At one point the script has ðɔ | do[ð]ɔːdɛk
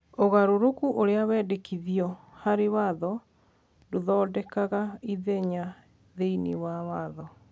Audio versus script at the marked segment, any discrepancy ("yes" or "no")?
no